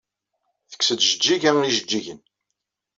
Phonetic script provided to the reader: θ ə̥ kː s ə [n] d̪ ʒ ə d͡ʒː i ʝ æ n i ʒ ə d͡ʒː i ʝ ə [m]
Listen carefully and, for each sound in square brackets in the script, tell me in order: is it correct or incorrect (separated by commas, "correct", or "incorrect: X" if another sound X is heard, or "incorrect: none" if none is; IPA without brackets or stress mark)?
incorrect: none, incorrect: n